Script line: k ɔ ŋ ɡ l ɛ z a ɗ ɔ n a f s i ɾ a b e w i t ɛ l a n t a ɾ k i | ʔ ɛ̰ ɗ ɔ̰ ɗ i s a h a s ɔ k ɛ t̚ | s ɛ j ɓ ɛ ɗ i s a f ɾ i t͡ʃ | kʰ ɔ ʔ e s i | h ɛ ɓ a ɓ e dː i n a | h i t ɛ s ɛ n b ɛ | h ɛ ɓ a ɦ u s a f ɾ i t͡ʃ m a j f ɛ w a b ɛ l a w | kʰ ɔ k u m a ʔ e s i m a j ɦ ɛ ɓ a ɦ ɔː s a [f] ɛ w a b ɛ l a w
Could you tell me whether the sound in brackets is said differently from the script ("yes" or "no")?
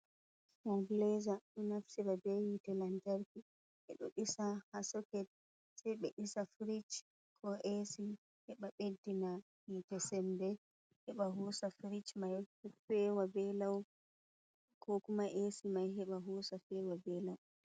no